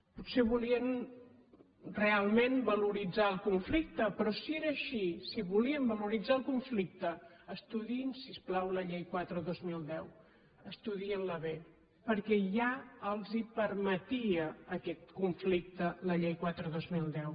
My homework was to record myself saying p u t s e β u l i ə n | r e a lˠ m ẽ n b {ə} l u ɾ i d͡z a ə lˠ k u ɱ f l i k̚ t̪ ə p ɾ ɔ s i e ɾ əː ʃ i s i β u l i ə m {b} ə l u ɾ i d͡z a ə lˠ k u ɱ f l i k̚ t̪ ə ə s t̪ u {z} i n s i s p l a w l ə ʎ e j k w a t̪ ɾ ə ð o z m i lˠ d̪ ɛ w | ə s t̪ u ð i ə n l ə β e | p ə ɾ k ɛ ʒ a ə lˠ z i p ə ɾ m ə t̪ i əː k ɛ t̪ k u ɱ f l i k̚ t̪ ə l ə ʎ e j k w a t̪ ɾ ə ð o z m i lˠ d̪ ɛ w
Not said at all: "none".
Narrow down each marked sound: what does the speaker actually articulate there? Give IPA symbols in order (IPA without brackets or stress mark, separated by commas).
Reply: ə, b, ð